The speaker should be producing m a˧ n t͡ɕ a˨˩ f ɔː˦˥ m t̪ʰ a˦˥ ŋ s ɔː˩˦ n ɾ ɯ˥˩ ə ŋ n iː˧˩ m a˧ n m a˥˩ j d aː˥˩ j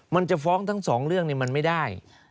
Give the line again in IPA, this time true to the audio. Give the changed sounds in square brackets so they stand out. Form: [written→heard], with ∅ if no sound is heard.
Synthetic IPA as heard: m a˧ n t͡ɕ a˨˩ f ɔː˦˥ [m→ŋ] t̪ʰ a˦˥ ŋ s ɔː˩˦ [n→ŋ] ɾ ɯ˥˩ ə ŋ n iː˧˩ m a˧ n m a˥˩ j d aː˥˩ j